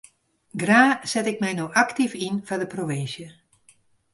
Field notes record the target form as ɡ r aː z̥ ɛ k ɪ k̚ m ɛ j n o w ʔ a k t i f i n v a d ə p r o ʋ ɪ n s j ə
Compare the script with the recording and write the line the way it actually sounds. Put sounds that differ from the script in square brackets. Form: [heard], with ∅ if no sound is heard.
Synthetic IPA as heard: ɡ r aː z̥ ɛ [t] ɪ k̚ m ɛ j n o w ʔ a k t i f i n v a d ə p r o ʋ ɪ n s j ə